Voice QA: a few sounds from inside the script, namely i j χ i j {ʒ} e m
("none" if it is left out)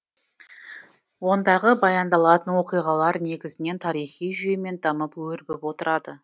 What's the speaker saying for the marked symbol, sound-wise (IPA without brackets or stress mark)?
ʒ